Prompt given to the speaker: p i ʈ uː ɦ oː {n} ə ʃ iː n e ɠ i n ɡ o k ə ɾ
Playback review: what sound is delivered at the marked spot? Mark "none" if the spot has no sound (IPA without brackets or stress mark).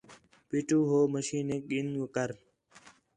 m